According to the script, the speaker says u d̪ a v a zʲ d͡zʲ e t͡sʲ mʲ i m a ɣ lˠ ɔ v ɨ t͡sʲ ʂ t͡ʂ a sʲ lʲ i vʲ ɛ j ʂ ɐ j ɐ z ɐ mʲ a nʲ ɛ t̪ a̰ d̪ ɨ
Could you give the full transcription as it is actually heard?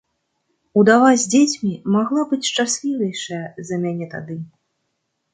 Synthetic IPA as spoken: u d̪ a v a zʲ d͡zʲ e t͡sʲ mʲ i m a ɣ lˠ ɔ b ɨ t͡sʲ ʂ t͡ʂ a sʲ lʲ i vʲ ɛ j ʂ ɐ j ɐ z ɐ mʲ a nʲ ɛ t̪ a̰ d̪ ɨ